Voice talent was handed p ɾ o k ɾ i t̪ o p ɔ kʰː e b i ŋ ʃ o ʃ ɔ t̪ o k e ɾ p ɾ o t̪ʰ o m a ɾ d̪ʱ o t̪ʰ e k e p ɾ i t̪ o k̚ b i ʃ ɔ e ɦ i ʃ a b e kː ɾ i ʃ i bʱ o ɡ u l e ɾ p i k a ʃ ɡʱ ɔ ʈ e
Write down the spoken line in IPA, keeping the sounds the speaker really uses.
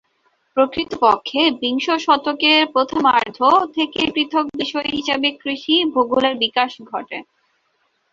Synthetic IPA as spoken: p ɾ o k ɾ i t̪ o p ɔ kʰː e b i ŋ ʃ o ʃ ɔ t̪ o k e ɾ p ɾ o t̪ʰ o m a ɾ d̪ʱ o t̪ʰ e k e p ɾ i t̪ʰ o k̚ b i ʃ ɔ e ɦ i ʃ a b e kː ɾ i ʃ i bʱ o ɡ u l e ɾ b i k a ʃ ɡʱ ɔ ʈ e